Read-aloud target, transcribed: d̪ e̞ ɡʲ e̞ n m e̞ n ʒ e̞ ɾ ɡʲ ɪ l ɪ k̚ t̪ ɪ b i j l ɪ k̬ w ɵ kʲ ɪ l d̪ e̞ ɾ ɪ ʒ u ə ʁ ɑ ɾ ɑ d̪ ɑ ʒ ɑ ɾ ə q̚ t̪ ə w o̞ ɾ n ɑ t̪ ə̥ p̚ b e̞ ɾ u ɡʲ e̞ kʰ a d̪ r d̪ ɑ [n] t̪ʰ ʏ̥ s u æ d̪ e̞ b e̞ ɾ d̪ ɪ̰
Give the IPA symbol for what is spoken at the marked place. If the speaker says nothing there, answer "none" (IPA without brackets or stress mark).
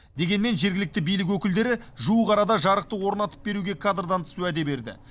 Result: n